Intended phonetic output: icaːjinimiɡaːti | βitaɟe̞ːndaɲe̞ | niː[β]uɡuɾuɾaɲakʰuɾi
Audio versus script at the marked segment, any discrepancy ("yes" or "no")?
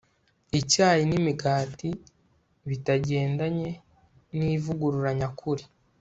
yes